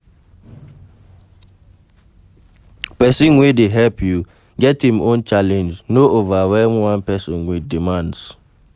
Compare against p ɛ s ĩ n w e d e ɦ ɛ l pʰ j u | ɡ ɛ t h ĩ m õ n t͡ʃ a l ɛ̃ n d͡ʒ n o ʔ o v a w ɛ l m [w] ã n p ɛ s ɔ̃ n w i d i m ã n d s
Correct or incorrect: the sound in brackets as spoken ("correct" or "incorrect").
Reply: correct